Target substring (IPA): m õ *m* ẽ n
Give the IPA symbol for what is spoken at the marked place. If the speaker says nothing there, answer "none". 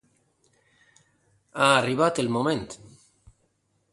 m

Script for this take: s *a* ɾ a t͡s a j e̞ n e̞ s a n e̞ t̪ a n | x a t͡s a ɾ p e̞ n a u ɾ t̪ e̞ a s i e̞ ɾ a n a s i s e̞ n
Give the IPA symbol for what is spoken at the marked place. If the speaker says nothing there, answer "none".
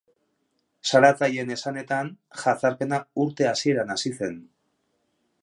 a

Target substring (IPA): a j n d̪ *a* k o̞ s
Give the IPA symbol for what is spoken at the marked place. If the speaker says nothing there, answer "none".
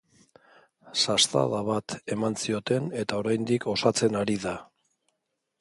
i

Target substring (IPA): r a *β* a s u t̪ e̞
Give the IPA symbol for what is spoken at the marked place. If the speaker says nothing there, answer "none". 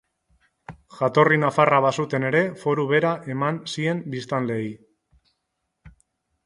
β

